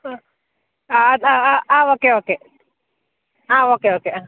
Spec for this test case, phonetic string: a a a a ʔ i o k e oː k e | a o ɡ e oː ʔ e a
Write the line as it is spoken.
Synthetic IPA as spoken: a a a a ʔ a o k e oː k e | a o k e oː k e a